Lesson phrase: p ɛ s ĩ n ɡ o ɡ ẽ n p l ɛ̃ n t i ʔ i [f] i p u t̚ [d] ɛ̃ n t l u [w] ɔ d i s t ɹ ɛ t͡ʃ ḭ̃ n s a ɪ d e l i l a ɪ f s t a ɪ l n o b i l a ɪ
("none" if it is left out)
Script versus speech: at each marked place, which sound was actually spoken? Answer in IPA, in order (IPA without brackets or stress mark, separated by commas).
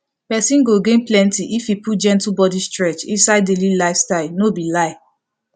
f, d͡ʒ, b